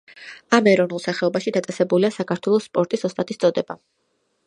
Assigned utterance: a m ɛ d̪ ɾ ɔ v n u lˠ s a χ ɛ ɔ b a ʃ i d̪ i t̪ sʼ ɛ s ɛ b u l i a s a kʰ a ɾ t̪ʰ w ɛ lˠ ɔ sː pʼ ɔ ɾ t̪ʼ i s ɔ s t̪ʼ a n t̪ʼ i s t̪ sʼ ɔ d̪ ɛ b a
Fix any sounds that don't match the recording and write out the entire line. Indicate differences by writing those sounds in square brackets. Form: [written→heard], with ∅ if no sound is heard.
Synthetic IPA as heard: a m ɛ [d̪→∅] ɾ ɔ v n u lˠ s a χ ɛ ɔ b a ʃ i d̪ [i→a] t̪ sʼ ɛ s ɛ b u l i a s a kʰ a ɾ t̪ʰ w ɛ lˠ ɔ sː pʼ ɔ ɾ t̪ʼ i s ɔ s t̪ʼ a [n→∅] t̪ʼ i s t̪ sʼ ɔ d̪ ɛ b a